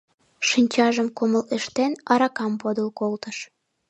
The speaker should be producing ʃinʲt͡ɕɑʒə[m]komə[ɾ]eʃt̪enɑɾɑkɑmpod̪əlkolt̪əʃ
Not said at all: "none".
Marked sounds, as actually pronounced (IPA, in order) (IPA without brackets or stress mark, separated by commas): m, l